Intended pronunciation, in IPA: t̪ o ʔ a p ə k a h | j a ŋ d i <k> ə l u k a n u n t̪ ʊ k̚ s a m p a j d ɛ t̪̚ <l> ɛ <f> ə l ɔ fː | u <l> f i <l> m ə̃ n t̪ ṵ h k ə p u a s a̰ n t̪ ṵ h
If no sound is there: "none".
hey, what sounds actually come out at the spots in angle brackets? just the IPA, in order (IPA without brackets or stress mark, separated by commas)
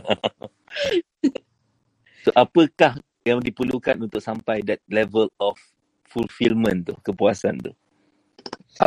p, l, v, l, l